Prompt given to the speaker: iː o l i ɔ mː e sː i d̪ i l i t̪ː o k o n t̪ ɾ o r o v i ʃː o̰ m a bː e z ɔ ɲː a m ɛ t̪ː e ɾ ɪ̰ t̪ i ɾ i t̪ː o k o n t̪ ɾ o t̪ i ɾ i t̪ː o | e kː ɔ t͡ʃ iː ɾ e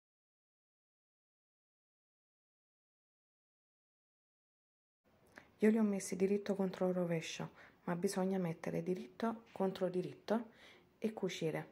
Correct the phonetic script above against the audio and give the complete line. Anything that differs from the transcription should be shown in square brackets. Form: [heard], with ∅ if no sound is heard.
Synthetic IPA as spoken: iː o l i ɔ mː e sː i d̪ i [ɾ] i t̪ː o k o n t̪ ɾ o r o v [ɛ] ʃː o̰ m a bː [i] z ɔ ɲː a m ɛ t̪ː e ɾ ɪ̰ [d̪] i ɾ i t̪ː o k o n t̪ ɾ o [d̪] i ɾ i t̪ː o | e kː [u] t͡ʃ iː ɾ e